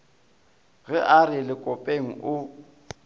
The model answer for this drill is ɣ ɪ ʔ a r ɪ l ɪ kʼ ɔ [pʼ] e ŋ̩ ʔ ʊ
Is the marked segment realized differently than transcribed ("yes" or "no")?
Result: no